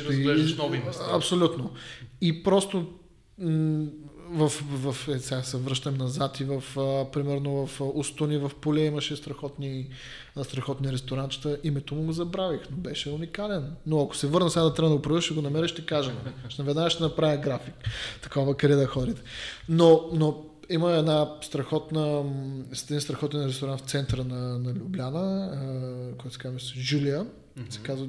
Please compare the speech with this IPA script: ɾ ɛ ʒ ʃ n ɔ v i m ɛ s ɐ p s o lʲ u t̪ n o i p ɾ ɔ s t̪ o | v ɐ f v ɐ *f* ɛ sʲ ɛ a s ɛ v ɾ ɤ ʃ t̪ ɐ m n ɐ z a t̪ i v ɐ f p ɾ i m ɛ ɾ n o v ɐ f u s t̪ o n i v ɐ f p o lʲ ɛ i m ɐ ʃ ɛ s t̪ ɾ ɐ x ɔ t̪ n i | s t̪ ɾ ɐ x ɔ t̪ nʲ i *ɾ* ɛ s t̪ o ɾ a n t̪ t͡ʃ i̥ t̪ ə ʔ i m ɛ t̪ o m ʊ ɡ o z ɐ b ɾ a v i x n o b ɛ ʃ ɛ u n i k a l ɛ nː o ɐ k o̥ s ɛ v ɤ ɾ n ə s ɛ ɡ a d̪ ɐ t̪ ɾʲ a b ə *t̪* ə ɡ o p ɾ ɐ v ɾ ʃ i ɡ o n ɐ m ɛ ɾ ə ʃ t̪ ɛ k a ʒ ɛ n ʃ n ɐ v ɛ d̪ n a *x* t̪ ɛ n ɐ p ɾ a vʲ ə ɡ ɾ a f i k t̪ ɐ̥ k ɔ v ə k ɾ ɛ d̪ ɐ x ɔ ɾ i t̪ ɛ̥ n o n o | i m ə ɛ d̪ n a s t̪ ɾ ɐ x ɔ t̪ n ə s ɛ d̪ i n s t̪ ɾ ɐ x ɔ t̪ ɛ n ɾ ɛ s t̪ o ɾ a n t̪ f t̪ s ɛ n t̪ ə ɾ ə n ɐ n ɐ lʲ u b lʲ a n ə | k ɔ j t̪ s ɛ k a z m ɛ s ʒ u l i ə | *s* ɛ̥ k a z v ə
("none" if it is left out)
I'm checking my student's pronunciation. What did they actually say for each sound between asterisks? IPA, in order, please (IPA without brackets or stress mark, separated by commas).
f, ɾ, d̪, ʃ, s